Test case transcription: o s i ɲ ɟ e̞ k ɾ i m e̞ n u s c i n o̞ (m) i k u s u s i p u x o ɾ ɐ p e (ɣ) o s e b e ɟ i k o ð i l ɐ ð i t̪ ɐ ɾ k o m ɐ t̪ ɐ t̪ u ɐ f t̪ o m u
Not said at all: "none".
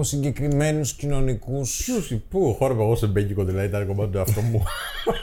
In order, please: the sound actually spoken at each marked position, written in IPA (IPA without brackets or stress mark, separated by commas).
n, ɣ